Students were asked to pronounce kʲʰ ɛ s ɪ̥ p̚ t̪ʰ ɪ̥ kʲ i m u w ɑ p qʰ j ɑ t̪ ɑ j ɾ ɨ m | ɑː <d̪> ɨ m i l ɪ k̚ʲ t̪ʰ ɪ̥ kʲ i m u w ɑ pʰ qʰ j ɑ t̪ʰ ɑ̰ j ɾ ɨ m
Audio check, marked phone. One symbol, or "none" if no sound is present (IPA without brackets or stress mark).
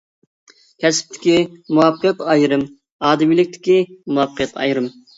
d̪